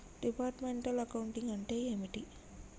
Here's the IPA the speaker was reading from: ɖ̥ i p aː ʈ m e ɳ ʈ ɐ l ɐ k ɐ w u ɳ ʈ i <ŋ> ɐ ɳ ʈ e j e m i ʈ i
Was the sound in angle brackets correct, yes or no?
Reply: yes